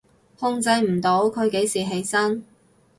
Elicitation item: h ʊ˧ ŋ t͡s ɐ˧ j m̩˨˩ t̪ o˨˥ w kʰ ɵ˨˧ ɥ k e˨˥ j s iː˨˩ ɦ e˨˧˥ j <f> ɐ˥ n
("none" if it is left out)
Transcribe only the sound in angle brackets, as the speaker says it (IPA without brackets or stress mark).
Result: s